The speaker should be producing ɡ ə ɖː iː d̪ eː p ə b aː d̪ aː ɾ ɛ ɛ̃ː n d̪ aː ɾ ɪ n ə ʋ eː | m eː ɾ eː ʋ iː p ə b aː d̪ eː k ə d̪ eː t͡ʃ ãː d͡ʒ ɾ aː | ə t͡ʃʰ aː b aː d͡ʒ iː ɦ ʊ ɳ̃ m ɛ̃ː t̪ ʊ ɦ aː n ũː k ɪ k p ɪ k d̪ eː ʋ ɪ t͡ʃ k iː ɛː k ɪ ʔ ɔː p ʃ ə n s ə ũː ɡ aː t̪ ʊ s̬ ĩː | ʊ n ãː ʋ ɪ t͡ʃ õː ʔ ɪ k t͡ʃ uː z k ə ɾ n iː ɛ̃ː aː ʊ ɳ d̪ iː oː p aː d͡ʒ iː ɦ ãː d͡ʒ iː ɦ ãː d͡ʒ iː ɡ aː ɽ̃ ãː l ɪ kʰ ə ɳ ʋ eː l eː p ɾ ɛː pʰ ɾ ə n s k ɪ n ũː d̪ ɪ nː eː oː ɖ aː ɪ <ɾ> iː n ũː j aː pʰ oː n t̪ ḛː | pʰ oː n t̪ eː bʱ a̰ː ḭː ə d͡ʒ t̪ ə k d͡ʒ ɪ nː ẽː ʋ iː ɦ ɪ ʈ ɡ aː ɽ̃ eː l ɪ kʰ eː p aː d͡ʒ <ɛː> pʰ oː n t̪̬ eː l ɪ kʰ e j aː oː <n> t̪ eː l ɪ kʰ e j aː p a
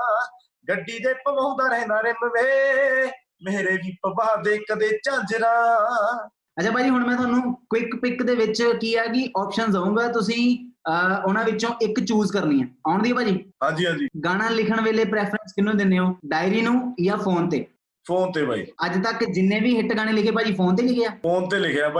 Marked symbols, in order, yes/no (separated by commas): yes, no, yes